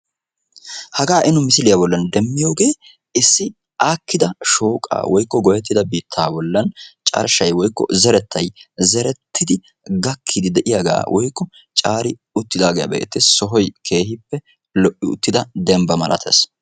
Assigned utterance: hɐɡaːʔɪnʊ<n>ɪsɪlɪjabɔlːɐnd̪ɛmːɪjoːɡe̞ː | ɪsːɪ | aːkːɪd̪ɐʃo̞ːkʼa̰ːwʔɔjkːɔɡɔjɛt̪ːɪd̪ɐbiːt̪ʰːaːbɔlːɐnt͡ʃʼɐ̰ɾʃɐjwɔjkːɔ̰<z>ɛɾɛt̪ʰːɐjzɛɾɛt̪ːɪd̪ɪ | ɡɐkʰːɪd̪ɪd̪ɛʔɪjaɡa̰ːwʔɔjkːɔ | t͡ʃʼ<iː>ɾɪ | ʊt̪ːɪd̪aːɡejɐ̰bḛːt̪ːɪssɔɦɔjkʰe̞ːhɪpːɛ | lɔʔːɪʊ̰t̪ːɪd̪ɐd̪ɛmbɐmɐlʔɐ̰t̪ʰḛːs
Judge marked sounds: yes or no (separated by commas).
no, yes, no